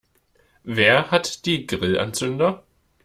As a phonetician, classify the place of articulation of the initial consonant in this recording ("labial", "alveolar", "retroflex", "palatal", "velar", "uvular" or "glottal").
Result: labial